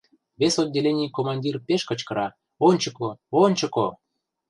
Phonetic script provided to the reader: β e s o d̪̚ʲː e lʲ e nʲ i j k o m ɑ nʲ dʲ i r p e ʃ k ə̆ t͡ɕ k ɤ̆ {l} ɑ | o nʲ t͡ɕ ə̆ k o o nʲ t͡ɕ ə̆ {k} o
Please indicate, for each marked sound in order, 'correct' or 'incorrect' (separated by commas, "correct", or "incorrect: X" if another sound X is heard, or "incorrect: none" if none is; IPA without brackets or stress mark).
incorrect: ɾ, correct